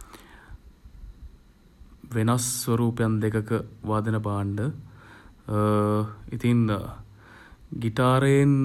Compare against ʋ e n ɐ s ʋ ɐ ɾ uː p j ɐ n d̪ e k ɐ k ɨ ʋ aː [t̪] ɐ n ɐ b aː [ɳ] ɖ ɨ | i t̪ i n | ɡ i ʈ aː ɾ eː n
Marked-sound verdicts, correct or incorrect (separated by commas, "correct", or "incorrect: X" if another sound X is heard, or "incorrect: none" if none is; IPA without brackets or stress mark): incorrect: d̪, correct